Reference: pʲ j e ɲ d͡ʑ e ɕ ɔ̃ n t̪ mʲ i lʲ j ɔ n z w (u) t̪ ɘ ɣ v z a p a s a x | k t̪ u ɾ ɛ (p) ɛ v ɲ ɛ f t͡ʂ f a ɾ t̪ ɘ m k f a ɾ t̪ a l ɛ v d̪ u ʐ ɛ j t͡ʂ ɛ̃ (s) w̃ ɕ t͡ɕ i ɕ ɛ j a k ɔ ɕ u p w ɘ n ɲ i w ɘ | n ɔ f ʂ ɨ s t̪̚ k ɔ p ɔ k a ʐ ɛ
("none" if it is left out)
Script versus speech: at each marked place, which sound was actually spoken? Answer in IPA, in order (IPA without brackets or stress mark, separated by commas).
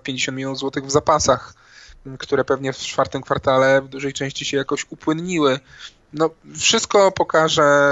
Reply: ɔ, p, none